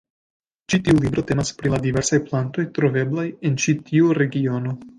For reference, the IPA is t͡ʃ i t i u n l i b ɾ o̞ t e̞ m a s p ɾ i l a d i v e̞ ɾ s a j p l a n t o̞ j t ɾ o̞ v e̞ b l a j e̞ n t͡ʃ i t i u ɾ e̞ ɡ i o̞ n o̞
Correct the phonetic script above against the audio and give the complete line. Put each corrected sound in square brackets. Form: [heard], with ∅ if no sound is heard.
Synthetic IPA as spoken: t͡ʃ i t i u [∅] l i b ɾ o̞ t e̞ m a s p ɾ i l a d i v e̞ ɾ s a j p l a n t o̞ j t ɾ o̞ v e̞ b l a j e̞ n t͡ʃ i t i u ɾ e̞ ɡ i o̞ n o̞